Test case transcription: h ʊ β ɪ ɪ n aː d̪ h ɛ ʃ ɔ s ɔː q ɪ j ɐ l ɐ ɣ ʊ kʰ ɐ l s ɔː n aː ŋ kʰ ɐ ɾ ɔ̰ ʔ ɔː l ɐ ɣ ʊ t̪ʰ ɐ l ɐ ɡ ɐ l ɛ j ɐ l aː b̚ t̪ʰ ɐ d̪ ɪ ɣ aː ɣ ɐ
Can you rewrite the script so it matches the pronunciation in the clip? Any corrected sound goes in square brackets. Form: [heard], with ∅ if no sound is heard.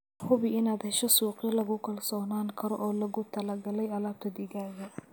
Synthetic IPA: h ʊ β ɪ ɪ n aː d̪ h ɛ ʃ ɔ s [uː] q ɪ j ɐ l ɐ ɣ ʊ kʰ ɐ l s ɔː n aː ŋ kʰ ɐ ɾ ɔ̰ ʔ ɔː l ɐ ɣ ʊ t̪ʰ ɐ l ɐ ɡ ɐ l ɛ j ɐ l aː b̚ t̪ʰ ɐ d̪ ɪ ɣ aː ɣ ɐ